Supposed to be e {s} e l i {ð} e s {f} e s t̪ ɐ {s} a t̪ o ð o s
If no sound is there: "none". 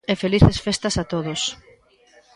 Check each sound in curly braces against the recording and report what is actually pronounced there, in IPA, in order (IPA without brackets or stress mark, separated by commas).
f, θ, f, s